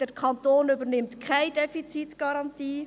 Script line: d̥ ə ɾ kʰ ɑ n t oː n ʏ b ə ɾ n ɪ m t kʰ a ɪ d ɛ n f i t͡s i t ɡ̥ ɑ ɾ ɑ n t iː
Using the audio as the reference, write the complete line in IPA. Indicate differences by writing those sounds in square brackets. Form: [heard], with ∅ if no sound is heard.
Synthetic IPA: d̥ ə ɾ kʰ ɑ n t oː n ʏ b ə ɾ n ɪ m t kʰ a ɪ d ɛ [∅] f i t͡s i t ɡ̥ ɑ ɾ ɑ n t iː